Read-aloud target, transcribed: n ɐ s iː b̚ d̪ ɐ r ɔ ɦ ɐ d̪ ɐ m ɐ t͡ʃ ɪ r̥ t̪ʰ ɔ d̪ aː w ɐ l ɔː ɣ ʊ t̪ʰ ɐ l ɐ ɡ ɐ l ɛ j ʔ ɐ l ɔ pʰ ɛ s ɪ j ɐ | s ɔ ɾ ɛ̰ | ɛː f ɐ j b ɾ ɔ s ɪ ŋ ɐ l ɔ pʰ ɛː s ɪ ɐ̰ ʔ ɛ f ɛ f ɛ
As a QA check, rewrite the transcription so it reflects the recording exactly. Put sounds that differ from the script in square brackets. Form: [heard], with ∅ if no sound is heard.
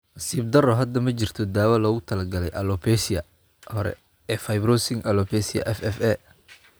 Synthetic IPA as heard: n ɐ s iː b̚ d̪ ɐ r ɔ ɦ ɐ d̪ ɐ m ɐ t͡ʃ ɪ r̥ t̪ʰ ɔ d̪ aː w ɐ l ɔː ɣ ʊ t̪ʰ ɐ l ɐ ɡ ɐ l ɛ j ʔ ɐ l ɔ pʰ ɛ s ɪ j ɐ | [h] ɔ ɾ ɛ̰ | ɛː f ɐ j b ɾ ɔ s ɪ ŋ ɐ l ɔ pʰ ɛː s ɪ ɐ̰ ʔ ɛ f ɛ f ɛ